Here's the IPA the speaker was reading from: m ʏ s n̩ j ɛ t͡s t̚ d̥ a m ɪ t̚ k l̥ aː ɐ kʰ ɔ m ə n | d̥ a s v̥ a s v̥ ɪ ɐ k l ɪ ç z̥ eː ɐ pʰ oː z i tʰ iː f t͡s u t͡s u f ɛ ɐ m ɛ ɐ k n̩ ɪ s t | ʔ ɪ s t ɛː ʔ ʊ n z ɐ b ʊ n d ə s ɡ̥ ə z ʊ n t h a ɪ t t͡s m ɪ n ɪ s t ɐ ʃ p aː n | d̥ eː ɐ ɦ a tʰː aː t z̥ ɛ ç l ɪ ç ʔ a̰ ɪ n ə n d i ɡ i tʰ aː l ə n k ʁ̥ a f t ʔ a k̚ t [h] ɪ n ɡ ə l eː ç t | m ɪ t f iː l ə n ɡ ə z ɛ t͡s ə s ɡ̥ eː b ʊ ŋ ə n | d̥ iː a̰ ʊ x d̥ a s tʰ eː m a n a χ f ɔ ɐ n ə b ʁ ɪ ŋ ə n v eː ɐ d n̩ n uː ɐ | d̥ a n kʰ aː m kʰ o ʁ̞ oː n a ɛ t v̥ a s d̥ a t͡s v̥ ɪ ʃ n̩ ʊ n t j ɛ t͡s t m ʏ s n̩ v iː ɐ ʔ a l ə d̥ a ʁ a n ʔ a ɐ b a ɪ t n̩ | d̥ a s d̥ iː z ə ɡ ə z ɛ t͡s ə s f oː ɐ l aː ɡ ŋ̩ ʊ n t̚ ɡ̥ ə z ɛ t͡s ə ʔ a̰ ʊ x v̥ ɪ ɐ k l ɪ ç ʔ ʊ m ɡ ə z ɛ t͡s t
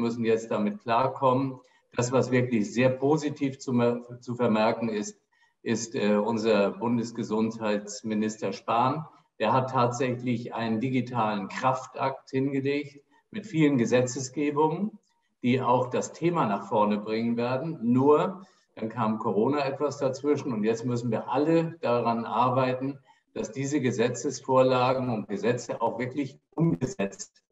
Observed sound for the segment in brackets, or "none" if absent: h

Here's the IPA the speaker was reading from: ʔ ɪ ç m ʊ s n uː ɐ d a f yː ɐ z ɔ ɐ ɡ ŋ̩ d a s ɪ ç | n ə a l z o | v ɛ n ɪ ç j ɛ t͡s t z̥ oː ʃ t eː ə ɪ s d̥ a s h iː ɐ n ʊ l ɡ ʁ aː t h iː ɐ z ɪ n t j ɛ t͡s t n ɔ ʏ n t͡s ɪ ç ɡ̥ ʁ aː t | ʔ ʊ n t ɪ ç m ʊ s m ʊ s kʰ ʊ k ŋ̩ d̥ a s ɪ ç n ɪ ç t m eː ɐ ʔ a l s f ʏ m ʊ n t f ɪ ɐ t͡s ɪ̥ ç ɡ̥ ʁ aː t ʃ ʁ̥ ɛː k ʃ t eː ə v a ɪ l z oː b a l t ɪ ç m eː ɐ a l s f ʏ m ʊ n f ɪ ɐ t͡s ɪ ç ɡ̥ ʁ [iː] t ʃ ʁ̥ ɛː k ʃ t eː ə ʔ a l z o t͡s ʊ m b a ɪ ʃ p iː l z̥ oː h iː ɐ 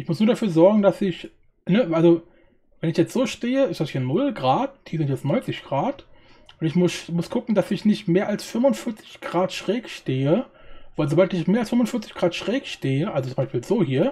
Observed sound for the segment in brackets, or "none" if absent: aː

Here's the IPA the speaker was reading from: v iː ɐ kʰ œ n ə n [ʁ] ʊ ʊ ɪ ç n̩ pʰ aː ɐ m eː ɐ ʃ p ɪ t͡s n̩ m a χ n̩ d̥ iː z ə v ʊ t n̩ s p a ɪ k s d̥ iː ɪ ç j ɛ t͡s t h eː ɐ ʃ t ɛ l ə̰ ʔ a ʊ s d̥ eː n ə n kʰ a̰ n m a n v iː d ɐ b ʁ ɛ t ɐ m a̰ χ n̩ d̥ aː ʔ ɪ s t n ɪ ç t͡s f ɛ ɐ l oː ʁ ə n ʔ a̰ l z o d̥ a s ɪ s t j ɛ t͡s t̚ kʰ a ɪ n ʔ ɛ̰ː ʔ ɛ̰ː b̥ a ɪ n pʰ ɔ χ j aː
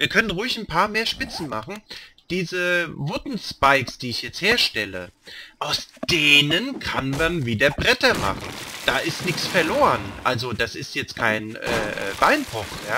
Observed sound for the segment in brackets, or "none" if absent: ʁ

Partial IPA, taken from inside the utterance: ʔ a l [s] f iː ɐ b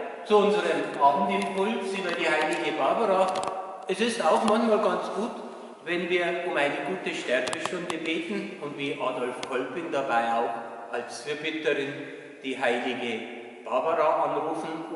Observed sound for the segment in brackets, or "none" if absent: s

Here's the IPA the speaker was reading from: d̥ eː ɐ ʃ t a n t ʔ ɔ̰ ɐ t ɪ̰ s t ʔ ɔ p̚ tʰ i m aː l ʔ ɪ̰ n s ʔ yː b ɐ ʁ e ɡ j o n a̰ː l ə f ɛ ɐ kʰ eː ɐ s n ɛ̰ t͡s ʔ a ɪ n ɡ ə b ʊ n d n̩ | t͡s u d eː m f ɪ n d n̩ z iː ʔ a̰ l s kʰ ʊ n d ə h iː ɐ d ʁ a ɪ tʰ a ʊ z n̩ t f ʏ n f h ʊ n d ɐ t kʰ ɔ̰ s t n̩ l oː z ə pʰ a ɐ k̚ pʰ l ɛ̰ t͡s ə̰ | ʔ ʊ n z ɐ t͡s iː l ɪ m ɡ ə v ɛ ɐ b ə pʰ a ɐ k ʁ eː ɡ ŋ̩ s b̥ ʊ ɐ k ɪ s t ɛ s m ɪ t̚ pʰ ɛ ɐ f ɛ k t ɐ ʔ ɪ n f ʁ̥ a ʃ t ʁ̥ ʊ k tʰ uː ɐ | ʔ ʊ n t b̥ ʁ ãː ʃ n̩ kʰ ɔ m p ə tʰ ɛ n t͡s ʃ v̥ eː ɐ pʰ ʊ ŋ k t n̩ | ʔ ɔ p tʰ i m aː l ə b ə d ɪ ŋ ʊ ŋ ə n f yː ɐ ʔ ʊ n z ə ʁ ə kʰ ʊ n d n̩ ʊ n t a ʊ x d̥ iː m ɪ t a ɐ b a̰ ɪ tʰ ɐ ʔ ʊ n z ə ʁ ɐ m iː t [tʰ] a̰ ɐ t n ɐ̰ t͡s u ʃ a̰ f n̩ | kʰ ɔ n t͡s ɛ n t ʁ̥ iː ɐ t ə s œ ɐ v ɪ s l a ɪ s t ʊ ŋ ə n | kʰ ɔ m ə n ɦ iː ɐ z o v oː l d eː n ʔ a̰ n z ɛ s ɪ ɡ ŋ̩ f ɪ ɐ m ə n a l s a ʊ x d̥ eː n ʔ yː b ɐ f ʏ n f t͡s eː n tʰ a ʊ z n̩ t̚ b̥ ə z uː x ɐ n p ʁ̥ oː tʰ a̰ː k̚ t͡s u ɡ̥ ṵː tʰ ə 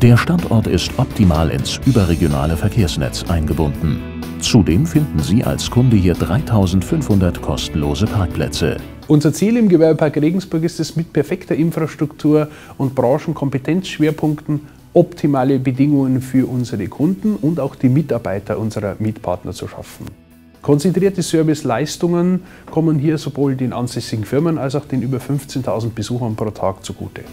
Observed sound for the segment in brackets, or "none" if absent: pʰ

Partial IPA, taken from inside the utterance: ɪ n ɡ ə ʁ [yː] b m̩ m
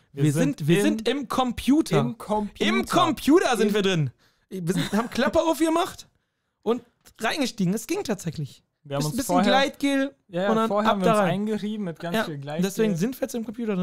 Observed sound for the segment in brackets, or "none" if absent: iː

